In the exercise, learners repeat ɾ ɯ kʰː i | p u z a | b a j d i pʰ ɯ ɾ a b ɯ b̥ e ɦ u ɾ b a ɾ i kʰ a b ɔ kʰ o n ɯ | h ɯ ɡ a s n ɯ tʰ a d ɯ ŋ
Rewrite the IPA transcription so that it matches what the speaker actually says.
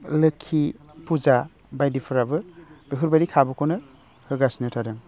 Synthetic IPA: l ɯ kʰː i | p u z a | b a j d i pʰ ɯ ɾ a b ɯ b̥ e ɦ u ɾ b a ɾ i kʰ a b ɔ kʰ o n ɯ | h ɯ ɡ a s n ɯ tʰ a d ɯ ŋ